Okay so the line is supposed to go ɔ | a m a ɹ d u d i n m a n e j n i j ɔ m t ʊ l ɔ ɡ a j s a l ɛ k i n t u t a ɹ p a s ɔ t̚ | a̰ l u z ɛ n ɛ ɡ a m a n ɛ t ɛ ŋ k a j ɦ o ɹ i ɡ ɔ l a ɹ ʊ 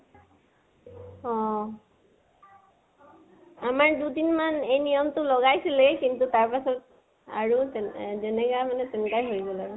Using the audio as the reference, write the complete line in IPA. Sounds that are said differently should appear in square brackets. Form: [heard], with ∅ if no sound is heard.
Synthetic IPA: ɔ | a m a ɹ d u d i n m a n e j n i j ɔ m t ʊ l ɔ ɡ a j s [i] l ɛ k i n t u t a ɹ p a s ɔ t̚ | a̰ [ɹ] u z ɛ n ɛ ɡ a m a n ɛ t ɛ [n] k a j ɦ o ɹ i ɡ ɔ l a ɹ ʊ